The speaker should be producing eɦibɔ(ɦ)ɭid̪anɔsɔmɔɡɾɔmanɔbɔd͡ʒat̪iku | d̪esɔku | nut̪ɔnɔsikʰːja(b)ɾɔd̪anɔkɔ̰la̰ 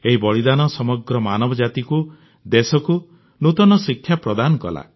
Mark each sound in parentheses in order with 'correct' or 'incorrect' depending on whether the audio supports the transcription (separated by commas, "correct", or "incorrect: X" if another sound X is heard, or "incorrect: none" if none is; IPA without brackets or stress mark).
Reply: incorrect: none, incorrect: p